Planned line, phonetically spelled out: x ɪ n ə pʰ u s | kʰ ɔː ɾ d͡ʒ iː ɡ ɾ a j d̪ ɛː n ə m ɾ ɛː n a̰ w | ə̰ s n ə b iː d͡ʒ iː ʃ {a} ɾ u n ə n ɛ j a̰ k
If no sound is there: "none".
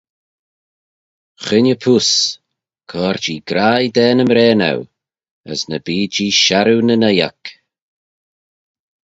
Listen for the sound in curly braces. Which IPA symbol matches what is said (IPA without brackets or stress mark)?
a